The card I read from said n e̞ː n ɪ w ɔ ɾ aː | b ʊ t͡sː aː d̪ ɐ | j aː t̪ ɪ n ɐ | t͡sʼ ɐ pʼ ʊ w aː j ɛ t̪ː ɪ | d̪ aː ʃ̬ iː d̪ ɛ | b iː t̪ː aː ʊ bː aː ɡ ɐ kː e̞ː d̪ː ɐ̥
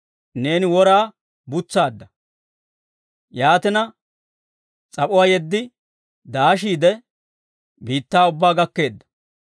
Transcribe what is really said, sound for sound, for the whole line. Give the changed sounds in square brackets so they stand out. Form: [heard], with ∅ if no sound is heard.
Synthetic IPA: n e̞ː n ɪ w ɔ ɾ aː | b ʊ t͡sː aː [d̪ː] ɐ | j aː t̪ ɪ n ɐ | t͡sʼ ɐ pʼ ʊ w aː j ɛ [d̪ː] ɪ | d̪ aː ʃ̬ iː d̪ ɛ | b iː t̪ː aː ʊ bː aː ɡ ɐ kː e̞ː d̪ː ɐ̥